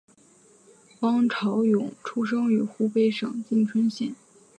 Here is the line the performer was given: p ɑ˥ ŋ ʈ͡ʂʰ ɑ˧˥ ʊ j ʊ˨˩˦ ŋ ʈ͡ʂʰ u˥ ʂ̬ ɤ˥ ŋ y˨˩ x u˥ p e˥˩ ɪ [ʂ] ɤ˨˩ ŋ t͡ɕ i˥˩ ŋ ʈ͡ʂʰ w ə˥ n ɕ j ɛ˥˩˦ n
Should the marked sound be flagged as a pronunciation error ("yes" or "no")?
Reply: no